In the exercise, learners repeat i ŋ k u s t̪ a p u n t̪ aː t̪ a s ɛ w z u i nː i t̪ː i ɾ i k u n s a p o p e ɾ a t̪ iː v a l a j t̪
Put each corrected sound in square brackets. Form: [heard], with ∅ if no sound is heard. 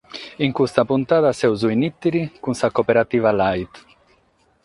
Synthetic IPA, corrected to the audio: i ŋ k u s t̪ a p u n t̪ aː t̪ a s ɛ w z u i [n] i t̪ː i ɾ i k u n s a [k] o p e ɾ a t̪ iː v a l a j t̪